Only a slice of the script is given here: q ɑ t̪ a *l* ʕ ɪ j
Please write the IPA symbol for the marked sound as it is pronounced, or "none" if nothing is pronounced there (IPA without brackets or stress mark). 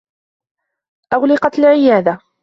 l